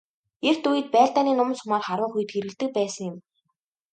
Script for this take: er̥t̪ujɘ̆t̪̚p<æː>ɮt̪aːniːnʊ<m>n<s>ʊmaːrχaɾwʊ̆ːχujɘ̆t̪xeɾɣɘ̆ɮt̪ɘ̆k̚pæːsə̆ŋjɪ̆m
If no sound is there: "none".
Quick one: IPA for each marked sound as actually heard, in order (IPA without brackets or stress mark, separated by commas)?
æː, m, s